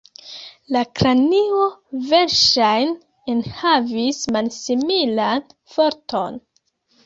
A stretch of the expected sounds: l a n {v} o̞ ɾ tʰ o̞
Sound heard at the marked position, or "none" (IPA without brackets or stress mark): f